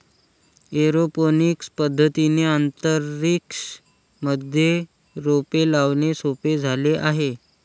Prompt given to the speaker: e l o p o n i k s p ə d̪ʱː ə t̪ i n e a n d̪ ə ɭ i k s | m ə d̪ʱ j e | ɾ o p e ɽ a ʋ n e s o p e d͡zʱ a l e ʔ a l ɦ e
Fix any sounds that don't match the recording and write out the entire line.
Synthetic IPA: e ɾ o p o n i k s p ə d̪ʱː ə t̪ i n e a n t̪ ə ɾ i k s | m ə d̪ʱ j e | ɾ o p e l a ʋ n e s o p e d͡zʱ a l e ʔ a ɦ e